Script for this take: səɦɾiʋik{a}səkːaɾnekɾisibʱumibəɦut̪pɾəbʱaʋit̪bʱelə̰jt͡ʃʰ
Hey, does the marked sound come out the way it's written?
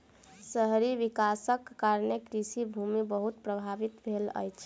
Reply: yes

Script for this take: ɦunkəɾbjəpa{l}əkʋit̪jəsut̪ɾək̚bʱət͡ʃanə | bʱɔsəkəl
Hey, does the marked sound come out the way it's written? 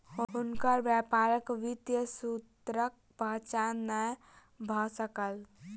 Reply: no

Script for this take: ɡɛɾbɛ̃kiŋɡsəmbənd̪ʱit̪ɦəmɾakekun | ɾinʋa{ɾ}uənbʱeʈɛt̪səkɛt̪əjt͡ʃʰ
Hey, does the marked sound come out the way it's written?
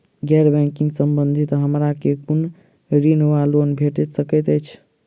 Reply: no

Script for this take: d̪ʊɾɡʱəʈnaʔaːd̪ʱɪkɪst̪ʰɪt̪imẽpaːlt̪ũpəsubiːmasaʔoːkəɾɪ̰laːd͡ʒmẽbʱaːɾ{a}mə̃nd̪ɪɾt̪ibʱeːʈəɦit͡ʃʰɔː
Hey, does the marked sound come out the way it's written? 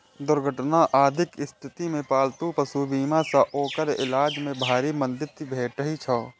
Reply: no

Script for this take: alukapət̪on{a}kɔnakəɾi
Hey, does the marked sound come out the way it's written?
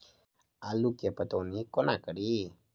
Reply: no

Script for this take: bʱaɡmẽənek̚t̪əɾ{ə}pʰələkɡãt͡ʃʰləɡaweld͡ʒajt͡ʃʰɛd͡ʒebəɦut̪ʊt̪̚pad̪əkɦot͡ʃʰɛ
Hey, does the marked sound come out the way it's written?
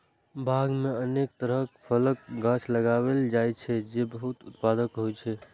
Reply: yes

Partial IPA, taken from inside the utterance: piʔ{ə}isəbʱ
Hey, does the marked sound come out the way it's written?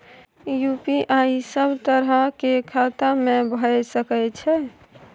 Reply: no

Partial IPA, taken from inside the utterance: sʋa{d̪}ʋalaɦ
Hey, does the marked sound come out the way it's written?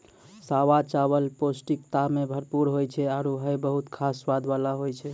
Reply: yes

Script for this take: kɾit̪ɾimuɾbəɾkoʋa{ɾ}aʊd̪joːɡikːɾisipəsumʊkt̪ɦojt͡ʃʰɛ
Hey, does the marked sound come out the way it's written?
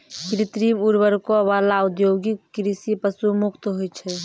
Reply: no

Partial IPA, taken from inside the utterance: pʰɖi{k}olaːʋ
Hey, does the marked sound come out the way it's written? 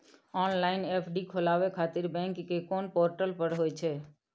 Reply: no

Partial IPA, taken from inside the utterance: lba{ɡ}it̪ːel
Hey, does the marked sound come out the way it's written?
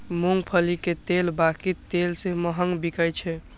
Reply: no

